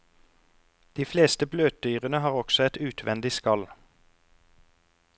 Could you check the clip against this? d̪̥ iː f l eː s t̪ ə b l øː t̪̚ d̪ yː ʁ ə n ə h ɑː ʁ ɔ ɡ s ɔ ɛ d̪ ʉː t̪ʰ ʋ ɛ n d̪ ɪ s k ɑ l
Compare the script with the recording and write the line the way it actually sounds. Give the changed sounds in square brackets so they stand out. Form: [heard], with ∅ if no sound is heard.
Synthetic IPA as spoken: d̪̥ iː f l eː s t̪ ə b l øː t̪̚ d̪ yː ʁ ə n ə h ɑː ʁ ɔ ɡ s ɔ ɛ [t̪] ʉː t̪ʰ ʋ ɛ n d̪ ɪ s k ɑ l